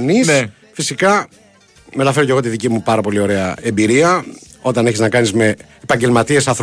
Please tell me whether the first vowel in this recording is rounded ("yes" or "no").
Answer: no